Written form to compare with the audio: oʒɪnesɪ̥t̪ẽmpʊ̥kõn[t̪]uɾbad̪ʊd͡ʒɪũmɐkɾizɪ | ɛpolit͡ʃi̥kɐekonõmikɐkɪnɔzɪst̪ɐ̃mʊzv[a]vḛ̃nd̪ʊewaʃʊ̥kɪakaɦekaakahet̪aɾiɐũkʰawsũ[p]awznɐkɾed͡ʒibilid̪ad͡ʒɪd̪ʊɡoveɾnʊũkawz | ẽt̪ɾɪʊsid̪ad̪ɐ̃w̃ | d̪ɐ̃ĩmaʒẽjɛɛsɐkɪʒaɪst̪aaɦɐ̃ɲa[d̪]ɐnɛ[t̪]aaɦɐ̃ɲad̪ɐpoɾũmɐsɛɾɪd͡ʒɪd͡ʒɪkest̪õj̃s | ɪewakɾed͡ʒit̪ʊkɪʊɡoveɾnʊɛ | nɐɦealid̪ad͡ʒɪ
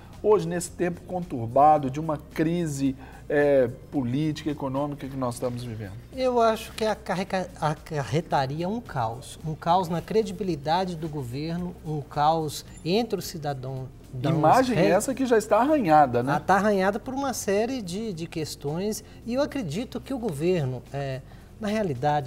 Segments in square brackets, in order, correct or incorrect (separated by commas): correct, incorrect, incorrect, correct, correct